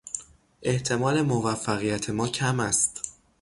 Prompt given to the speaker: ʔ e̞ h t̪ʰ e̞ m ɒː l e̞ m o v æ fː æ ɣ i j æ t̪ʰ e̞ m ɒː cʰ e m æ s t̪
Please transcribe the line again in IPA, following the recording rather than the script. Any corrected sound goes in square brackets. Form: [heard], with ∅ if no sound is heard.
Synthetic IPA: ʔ e̞ h t̪ʰ e̞ m ɒː l e̞ m o v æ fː æ ɣ i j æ t̪ʰ e̞ m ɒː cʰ [æ] m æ s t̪